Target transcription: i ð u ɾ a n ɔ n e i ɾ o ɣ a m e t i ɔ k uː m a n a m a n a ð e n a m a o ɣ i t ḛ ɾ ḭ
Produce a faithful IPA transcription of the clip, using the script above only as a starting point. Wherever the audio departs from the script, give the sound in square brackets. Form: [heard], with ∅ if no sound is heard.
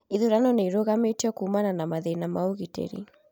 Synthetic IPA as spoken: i ð u ɾ a n ɔ n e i ɾ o ɣ a m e t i ɔ k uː m a n a [n] a [m] a ð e n a m a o ɣ i t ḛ ɾ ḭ